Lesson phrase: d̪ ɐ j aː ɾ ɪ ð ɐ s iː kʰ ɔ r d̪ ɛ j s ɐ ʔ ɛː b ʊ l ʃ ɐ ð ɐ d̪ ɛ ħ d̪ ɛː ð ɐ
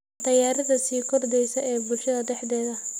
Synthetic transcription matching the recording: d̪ ɐ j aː ɾ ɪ ð ɐ s iː kʰ ɔ r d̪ ɛ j s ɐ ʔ ɛː b ʊ l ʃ ɐ ð ɐ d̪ ɛ ħ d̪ ɛː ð ɐ